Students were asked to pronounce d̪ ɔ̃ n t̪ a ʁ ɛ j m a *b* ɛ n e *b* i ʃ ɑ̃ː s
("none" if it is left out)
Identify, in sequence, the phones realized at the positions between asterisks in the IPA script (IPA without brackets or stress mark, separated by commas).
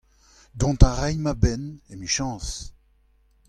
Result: b, m